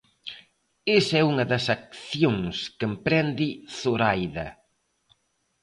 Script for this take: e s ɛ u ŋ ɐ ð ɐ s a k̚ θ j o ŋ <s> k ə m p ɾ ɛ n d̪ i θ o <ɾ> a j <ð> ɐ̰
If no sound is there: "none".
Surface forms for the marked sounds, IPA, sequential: s, ɾ, ð

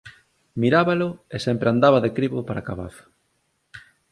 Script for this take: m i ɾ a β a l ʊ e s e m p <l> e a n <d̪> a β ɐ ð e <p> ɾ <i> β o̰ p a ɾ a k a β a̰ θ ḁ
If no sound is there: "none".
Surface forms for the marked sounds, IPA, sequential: ɾ, d̪, k, i

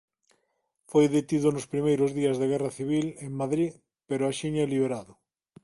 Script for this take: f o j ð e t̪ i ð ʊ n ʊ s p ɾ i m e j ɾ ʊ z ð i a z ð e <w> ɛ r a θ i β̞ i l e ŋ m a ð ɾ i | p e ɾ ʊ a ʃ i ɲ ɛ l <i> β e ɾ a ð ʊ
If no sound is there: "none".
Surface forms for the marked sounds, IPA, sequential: ɣ, i

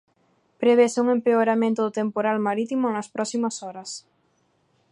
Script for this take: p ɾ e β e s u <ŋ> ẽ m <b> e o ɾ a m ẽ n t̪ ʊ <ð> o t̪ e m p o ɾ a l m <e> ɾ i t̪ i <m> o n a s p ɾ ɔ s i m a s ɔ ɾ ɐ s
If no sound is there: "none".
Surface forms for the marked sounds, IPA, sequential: ŋ, p, ð, a, m

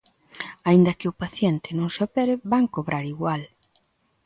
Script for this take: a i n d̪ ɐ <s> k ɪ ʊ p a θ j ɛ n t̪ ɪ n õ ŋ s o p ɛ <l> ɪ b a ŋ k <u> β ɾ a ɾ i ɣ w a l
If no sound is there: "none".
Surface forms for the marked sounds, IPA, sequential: none, ɾ, o

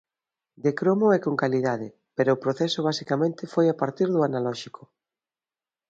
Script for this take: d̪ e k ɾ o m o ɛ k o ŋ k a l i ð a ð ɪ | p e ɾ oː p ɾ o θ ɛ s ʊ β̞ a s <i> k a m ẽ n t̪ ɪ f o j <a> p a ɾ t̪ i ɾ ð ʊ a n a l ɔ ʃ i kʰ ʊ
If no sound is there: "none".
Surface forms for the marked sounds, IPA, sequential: i, a

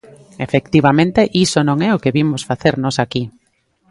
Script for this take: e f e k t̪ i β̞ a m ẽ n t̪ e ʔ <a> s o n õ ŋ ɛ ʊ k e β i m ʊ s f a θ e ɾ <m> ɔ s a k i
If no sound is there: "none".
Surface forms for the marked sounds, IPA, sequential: i, n

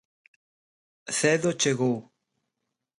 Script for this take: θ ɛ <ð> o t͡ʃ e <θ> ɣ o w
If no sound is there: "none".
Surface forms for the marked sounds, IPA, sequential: ð, none

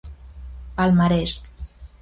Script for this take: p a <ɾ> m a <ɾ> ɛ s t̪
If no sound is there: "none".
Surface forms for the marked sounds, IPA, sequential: l, ɾ

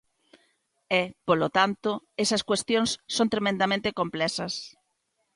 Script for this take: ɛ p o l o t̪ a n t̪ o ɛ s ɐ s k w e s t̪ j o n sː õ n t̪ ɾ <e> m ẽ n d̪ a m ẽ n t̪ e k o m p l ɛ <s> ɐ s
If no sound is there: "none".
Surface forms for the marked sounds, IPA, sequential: e, s

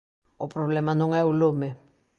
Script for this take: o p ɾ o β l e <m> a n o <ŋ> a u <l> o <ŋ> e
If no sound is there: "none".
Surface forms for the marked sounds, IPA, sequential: m, ŋ, l, m

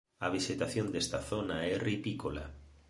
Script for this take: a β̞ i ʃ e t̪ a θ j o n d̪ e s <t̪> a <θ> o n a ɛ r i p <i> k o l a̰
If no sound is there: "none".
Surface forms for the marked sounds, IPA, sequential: t̪, θ, i

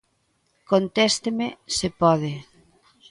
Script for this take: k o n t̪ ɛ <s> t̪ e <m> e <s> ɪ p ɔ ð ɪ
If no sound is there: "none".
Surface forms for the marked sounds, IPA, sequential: s, m, s

